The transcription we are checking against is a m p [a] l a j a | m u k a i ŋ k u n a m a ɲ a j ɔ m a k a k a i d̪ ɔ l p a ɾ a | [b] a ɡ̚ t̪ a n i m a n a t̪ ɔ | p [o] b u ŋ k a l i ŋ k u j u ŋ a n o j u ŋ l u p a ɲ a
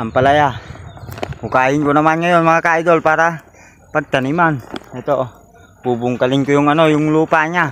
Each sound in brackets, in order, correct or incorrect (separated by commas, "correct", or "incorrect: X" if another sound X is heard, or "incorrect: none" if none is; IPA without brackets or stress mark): correct, incorrect: p, incorrect: u